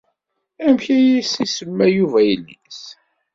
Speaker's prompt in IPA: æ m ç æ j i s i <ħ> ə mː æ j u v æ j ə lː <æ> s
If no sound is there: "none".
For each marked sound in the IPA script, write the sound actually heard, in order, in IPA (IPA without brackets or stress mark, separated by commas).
s, i